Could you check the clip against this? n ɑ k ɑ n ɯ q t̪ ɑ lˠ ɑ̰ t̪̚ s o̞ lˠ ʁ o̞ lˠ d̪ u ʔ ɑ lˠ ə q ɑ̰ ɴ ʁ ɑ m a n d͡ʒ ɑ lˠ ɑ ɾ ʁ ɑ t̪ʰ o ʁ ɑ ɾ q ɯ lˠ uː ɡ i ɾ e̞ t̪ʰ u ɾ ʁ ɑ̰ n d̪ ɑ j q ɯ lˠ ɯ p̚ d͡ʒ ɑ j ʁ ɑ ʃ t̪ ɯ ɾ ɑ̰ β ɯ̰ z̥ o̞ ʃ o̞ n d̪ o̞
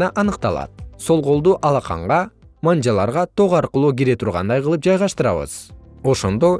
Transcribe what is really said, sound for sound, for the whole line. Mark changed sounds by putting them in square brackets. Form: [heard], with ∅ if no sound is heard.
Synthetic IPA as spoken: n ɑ [ʔ] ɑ n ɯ q t̪ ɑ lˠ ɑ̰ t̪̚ s o̞ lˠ ʁ o̞ lˠ d̪ u ʔ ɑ lˠ [ɑ] q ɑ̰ ɴ ʁ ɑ m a n d͡ʒ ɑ lˠ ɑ ɾ ʁ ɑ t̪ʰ o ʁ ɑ ɾ q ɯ lˠ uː ɡ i ɾ e̞ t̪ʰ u ɾ ʁ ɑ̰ n d̪ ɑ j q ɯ lˠ ɯ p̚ d͡ʒ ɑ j ʁ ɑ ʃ t̪ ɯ ɾ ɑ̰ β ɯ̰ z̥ o̞ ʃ o̞ n d̪ o̞